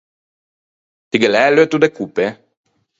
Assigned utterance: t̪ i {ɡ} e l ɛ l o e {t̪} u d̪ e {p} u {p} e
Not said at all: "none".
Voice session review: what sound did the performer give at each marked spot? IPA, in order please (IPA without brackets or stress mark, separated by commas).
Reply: ɡ, t̪, k, p